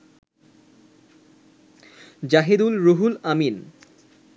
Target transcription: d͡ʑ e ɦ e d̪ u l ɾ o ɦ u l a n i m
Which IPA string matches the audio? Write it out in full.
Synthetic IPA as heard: d͡ʑ a ɦ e d̪ u l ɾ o ɦ u l a m i n